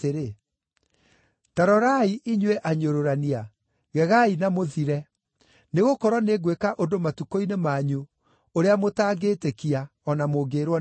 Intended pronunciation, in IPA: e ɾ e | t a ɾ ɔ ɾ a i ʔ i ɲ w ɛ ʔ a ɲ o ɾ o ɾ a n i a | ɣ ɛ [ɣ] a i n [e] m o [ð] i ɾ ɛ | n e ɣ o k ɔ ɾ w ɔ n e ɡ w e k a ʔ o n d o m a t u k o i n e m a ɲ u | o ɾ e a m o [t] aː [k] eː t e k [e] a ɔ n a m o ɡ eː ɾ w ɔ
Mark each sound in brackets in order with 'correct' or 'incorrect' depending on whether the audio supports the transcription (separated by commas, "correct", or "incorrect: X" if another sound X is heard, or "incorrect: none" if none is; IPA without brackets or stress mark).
correct, incorrect: a, correct, correct, incorrect: ɡ, incorrect: i